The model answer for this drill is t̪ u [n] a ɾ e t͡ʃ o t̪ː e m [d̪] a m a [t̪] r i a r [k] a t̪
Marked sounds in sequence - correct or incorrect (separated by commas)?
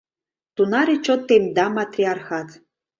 correct, correct, correct, incorrect